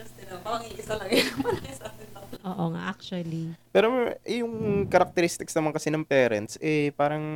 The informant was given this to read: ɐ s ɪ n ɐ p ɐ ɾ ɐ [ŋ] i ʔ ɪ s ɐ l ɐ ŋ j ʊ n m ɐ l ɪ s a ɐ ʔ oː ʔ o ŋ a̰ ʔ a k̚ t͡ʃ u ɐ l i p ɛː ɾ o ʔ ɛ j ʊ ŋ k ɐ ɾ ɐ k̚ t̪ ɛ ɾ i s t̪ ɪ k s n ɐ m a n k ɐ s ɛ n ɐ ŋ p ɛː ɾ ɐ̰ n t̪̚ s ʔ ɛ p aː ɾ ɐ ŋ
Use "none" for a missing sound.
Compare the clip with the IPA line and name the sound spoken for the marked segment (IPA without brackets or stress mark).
ŋ